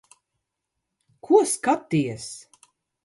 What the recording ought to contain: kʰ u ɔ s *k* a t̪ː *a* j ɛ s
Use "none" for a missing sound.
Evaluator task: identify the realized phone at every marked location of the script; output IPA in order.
k, i

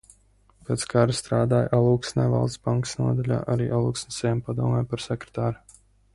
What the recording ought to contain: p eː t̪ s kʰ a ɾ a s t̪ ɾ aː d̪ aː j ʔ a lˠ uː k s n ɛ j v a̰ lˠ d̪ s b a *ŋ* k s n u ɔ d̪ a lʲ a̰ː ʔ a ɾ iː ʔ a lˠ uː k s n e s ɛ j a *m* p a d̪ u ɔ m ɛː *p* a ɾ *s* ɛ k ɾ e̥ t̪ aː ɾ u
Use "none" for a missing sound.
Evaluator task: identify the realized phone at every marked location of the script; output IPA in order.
ŋ, m, p, s

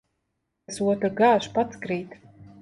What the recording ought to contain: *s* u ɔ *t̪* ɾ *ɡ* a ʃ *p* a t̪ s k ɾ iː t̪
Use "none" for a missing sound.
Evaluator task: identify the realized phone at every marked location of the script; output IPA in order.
s, t̪, ɡ, p

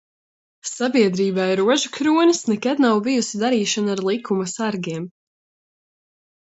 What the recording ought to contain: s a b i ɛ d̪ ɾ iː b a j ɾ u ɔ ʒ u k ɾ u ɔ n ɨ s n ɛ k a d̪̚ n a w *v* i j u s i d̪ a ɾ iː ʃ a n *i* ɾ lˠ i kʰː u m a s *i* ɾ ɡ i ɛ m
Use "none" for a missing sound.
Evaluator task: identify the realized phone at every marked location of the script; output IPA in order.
v, a, a

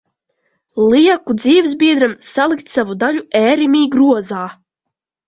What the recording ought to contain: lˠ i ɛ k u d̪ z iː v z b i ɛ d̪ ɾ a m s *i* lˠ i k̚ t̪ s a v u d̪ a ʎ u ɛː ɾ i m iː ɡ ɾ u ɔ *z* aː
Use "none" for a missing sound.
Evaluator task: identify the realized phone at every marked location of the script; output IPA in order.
a, z

